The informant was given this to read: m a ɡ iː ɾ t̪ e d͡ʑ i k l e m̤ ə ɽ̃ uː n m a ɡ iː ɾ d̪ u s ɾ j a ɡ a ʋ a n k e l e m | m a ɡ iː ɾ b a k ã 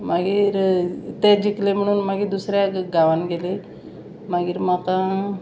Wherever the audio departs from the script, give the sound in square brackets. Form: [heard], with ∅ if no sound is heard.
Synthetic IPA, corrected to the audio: m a ɡ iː ɾ t̪ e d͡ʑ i k l e m̤ ə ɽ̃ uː n m a ɡ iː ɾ d̪ u s ɾ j a ɡ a ʋ a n [ɡ] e l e [∅] | m a ɡ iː ɾ [m] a k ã